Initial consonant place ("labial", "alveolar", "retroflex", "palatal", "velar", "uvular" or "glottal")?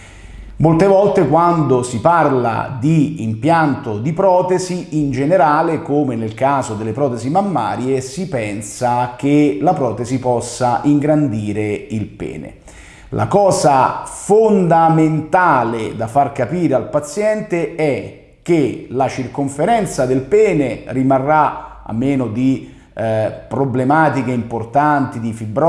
labial